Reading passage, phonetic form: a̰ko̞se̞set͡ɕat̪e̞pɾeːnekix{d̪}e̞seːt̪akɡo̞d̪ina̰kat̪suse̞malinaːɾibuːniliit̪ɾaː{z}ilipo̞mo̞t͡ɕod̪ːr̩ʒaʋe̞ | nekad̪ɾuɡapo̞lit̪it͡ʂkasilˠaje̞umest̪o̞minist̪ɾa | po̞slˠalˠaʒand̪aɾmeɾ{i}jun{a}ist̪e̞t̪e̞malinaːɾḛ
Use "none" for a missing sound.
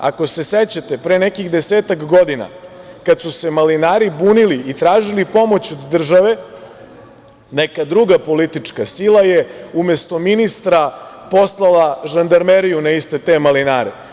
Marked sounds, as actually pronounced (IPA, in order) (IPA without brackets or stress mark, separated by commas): d̪, ʒ, i, a